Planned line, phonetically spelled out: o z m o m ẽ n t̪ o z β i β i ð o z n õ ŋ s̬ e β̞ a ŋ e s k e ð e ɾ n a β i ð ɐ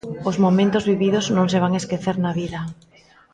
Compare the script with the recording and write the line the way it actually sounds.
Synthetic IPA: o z m o m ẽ n t̪ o z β i β i ð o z n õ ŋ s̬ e β̞ a ŋ e s k e θ e ɾ n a β i ð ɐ